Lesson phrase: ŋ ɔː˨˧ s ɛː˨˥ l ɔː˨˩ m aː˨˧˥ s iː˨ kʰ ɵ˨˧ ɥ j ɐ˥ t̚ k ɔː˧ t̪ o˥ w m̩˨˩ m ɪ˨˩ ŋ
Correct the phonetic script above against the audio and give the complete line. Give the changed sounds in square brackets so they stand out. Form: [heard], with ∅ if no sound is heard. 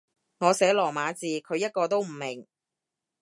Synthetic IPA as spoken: ŋ ɔː˨˧ s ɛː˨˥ l ɔː˨˩ m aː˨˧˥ [t͡s] iː˨ kʰ ɵ˨˧ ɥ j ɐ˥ t̚ k ɔː˧ t̪ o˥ w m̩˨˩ m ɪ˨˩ ŋ

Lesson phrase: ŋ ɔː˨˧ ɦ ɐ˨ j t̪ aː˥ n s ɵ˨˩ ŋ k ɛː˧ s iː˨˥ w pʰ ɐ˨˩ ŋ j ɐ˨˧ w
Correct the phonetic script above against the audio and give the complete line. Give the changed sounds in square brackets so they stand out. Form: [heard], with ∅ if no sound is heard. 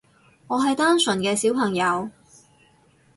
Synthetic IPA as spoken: ŋ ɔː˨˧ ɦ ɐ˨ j t̪ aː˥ n s ɵ˨˩ [n] k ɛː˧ s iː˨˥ w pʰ ɐ˨˩ ŋ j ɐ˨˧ w

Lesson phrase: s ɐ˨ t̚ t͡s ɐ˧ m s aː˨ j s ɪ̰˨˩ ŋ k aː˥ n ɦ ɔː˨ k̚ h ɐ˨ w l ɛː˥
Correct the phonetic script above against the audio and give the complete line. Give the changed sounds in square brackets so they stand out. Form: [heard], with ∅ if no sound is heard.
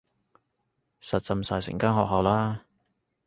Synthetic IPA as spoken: s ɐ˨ t̚ t͡s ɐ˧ m s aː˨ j s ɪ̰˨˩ ŋ k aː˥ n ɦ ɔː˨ k̚ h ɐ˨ w l [aː˥]

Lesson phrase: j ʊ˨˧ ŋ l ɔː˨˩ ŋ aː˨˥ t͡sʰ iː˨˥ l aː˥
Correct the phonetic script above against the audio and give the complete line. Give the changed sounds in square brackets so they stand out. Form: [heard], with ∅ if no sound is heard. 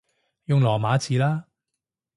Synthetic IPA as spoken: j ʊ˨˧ ŋ l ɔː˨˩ [m] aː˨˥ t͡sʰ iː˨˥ l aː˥

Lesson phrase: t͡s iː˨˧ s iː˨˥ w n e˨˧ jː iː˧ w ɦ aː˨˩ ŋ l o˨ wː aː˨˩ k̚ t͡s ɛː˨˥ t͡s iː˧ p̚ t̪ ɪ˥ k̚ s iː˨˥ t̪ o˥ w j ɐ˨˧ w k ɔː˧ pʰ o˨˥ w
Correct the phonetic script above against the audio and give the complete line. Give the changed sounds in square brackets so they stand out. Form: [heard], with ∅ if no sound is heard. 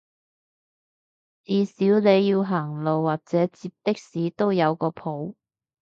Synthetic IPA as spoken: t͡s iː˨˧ s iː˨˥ w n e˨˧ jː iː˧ w ɦ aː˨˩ ŋ l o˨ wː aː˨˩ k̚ t͡s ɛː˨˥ t͡s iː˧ p̚ t̪ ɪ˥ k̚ s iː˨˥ t̪ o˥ w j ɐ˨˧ w k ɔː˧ pʰ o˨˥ w

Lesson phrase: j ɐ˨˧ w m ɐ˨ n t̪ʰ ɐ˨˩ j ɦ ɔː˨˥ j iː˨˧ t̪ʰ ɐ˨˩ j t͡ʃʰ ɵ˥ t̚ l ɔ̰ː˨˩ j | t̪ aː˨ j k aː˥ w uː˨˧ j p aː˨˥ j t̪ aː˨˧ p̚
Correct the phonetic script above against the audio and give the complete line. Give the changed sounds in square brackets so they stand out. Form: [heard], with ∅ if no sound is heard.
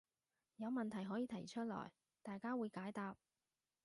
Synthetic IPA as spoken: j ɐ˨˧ w m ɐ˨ n t̪ʰ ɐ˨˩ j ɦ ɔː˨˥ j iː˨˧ t̪ʰ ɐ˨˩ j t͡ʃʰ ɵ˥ t̚ l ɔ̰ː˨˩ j | t̪ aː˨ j k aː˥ w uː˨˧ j [k] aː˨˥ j t̪ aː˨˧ p̚

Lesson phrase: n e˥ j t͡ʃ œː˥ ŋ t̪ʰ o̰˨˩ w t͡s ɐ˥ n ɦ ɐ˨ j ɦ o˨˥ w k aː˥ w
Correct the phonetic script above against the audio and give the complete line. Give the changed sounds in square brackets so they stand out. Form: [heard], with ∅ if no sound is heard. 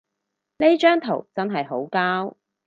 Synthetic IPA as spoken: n e˥ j t͡ʃ œː˥ ŋ t̪ʰ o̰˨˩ w t͡s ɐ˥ n ɦ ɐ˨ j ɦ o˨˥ w k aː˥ w

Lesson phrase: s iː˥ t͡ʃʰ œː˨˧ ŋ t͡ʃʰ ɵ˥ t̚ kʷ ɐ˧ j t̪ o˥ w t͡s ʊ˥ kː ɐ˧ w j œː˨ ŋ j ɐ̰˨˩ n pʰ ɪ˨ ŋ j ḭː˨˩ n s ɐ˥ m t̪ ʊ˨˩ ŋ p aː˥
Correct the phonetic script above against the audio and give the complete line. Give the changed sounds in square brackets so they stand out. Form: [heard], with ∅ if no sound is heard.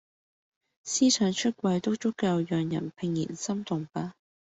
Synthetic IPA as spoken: s iː˥ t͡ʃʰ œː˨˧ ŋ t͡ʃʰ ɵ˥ t̚ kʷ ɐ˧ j t̪ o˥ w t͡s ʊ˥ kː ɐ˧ w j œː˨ ŋ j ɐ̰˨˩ n pʰ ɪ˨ ŋ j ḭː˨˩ n s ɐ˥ m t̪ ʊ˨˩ ŋ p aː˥

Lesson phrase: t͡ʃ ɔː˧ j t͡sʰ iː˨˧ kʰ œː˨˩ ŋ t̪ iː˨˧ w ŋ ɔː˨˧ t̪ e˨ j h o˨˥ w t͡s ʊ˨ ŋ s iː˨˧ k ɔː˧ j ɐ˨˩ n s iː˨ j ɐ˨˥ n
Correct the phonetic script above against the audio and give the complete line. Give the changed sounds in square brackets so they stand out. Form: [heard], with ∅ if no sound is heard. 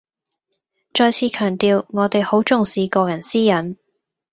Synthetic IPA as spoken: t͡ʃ ɔː˧ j t͡sʰ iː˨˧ kʰ œː˨˩ ŋ t̪ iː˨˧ w ŋ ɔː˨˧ t̪ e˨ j h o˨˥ w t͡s ʊ˨ ŋ s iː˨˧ k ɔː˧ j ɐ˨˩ n s [iː˥] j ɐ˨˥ n

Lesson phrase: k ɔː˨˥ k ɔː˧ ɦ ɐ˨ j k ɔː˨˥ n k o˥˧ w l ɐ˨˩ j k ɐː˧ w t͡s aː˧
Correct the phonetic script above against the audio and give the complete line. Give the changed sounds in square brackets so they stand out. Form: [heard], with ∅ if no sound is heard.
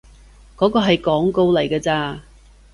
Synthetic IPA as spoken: k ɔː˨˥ k ɔː˧ ɦ ɐ˨ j k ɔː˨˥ [ŋ] k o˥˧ w l ɐ˨˩ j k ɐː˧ [∅] t͡s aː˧

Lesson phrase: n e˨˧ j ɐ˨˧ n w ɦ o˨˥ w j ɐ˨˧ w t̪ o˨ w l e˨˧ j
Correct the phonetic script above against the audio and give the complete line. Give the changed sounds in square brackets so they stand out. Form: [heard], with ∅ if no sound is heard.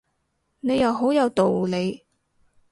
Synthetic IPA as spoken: n e˨˧ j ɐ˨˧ [∅] w ɦ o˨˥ w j ɐ˨˧ w t̪ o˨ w l e˨˧ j

